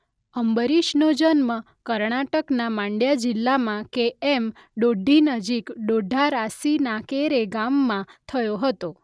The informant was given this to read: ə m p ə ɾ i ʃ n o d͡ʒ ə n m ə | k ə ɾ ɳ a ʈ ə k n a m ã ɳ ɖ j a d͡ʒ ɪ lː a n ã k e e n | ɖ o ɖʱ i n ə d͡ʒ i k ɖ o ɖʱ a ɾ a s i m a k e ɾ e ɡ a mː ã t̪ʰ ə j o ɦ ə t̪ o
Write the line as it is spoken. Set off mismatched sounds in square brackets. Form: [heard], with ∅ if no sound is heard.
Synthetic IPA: ə m [b] ə ɾ i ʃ n o d͡ʒ ə n m ə | k ə ɾ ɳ a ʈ ə k n a m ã ɳ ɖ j a d͡ʒ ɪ lː a [m] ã k e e [m] | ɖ o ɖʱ i n ə d͡ʒ i k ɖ o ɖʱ a ɾ a s i [n] a k e ɾ e ɡ a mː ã t̪ʰ ə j o ɦ ə t̪ o